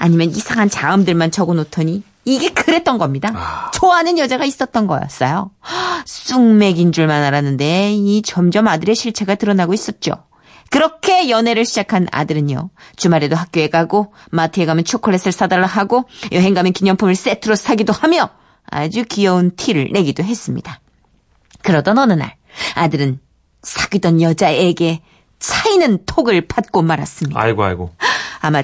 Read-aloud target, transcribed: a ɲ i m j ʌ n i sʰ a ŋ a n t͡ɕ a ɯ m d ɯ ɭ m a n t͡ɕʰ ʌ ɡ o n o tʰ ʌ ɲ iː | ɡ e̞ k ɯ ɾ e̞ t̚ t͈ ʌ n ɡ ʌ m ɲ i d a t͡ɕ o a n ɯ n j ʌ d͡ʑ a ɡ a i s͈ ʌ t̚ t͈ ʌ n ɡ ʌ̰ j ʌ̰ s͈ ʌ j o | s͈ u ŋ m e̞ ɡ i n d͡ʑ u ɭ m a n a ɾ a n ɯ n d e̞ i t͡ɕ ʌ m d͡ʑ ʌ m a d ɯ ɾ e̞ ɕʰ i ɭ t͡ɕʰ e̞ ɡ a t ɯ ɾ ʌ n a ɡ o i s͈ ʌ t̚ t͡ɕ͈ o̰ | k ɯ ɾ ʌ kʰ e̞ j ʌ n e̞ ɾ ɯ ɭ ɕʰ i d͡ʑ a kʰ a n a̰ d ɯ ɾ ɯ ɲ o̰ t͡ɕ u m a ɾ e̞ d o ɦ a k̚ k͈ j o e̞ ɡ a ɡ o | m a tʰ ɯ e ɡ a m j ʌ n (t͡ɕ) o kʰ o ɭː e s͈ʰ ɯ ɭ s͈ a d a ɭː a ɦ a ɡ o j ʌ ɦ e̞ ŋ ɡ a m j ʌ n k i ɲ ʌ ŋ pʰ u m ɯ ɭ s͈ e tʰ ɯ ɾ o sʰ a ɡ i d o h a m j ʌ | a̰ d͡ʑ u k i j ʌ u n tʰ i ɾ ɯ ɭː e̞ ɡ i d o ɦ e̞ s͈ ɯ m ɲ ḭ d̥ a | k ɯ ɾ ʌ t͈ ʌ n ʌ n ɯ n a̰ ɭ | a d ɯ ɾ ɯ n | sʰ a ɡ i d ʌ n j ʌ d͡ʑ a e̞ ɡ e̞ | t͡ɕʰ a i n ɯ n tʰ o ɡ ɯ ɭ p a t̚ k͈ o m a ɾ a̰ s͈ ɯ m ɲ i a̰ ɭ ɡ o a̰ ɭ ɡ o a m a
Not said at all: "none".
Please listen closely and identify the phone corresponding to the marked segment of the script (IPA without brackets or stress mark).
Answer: t͡ɕʰ